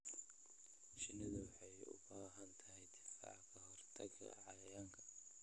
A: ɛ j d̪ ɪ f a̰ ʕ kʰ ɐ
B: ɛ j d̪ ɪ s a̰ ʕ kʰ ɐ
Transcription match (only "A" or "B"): A